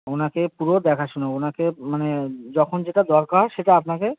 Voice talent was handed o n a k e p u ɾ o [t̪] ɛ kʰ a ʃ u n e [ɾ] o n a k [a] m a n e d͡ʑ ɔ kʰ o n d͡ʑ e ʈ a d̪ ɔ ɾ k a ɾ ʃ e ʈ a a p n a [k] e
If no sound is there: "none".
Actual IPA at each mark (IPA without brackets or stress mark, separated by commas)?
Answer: d̪, none, e, k